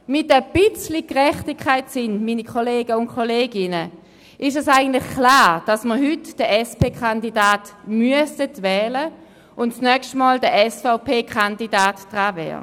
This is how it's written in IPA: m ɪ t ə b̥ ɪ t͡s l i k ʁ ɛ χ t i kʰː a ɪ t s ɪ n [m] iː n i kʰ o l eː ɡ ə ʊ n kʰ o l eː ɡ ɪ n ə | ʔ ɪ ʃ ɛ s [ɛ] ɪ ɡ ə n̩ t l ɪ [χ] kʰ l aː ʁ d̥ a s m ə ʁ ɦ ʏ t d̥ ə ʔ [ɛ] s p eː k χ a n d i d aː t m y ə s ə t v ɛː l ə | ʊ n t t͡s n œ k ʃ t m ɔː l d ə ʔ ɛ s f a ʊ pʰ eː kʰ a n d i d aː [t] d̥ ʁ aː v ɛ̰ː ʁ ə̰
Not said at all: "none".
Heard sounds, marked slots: m, a, χ, ɛ, t

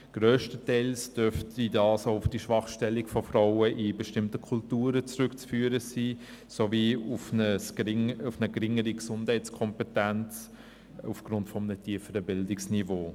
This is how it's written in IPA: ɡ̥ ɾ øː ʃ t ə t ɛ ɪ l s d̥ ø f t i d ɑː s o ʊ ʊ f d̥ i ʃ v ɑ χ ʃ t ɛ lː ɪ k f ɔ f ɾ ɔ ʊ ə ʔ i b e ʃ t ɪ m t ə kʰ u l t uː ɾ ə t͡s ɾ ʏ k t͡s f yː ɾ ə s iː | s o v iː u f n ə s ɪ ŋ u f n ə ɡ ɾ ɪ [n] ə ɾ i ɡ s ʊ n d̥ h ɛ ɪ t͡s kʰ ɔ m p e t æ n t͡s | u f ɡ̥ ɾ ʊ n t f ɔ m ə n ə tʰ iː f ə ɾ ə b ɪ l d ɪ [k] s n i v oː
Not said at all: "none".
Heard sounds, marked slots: ŋ, k

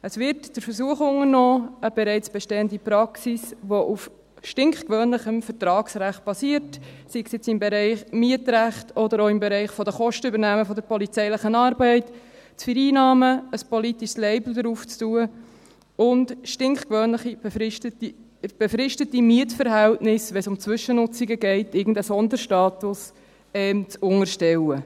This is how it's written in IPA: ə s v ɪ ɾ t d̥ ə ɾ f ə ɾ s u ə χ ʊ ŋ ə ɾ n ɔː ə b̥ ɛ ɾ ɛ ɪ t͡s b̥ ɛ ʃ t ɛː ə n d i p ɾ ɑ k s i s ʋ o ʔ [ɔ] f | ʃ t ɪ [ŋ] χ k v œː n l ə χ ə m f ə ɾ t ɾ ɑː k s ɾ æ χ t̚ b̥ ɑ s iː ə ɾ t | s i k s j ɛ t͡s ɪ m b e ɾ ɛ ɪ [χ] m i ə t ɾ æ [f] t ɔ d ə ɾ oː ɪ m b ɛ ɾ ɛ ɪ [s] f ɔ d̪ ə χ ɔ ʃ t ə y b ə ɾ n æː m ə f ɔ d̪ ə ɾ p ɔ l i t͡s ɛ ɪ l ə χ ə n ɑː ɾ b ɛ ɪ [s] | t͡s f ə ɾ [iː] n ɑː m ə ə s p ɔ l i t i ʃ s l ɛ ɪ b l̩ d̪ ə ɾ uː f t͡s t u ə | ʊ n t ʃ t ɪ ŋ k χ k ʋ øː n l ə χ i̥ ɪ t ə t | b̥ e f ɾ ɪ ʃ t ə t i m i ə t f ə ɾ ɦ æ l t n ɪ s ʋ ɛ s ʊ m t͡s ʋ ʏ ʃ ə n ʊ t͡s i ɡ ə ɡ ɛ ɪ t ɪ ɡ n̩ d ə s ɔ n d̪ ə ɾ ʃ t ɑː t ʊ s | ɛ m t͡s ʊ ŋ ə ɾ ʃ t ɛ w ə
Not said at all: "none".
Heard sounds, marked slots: u, ŋ, χ, χ, χ, t, iː

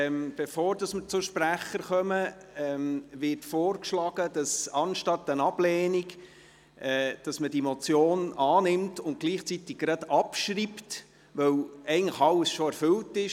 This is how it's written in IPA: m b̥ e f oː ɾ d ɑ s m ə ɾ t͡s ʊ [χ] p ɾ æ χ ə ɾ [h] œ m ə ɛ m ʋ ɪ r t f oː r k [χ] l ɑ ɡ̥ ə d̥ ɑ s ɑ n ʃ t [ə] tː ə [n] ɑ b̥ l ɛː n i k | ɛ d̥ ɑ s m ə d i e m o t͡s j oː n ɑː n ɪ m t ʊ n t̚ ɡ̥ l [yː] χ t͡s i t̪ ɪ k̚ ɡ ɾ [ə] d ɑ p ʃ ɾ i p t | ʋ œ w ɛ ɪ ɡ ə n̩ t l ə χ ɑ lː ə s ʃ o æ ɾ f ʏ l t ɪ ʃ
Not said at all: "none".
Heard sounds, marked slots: ʃ, χ, ʃ, ɑ, n, iː, ɑ

